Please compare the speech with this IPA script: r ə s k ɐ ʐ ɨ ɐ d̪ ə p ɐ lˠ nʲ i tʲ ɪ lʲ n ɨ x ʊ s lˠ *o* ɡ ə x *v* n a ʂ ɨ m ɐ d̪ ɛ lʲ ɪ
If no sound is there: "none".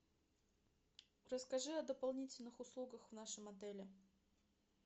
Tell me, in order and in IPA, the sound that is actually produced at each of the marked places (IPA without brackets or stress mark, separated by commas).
u, v